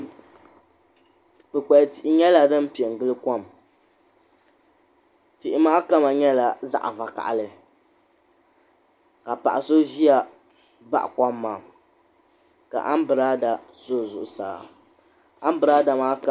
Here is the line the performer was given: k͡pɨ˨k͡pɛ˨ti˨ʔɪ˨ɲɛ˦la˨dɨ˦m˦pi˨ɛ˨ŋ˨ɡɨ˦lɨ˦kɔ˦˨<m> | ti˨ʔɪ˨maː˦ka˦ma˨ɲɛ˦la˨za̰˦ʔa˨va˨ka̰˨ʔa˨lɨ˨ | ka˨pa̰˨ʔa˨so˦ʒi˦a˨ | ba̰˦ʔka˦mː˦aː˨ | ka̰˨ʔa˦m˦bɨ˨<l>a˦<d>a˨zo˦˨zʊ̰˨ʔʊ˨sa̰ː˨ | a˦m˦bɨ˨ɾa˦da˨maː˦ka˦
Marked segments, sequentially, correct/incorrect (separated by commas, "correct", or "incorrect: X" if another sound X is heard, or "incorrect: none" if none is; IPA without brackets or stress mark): correct, incorrect: ɾ, correct